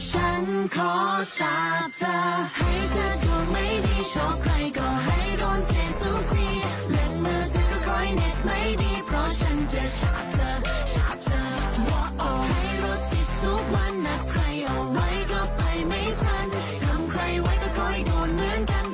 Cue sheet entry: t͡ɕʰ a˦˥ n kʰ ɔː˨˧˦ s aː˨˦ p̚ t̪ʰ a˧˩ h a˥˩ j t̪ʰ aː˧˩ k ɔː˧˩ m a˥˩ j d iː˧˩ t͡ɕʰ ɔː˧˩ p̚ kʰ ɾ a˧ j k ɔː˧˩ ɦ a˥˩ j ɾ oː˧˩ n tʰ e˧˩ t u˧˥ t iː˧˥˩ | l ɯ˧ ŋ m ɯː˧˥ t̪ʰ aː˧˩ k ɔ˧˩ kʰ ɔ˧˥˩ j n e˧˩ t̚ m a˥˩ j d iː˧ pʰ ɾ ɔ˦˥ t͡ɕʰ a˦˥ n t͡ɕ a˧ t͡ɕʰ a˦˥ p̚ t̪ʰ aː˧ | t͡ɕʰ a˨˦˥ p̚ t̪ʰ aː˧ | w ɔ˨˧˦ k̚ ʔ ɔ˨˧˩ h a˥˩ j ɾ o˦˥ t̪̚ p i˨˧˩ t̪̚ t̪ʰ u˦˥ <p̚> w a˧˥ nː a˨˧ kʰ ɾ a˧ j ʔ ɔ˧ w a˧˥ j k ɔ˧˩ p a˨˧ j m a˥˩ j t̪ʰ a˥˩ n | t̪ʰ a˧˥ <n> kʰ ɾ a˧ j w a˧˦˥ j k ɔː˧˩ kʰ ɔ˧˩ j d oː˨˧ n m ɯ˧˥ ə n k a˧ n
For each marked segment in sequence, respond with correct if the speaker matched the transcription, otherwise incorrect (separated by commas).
incorrect, incorrect